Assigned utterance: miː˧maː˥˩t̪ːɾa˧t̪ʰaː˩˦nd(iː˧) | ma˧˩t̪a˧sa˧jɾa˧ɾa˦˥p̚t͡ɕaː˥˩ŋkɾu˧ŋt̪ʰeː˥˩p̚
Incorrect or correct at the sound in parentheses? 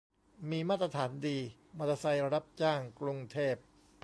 correct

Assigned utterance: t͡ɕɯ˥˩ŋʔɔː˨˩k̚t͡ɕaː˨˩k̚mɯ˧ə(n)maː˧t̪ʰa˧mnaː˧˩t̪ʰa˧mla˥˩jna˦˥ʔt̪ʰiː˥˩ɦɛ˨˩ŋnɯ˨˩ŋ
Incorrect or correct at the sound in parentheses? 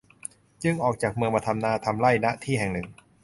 incorrect: ŋ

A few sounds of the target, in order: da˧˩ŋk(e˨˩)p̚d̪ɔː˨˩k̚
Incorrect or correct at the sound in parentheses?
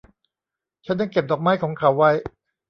correct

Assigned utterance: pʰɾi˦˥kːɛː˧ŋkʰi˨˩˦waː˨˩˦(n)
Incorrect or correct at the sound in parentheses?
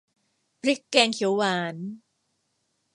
correct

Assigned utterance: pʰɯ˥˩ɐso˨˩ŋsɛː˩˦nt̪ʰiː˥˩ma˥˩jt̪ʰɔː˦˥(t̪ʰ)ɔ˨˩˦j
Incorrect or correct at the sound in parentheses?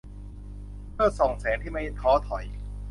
correct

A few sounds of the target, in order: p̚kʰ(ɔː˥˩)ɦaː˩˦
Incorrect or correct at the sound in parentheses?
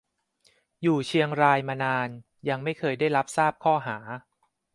correct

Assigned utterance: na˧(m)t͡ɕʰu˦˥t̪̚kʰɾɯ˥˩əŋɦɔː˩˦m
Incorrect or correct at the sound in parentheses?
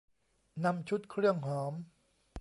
correct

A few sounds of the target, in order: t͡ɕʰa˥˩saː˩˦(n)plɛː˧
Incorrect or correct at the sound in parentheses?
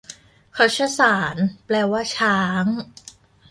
correct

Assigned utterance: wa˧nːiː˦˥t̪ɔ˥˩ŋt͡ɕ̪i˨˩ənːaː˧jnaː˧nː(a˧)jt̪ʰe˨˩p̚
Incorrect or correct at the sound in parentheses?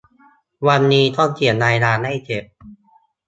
incorrect: a˥˩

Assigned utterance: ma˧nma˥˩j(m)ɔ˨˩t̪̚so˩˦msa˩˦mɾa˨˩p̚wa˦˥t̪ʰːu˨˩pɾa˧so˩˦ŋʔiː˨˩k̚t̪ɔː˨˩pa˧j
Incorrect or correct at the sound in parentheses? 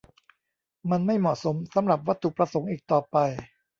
correct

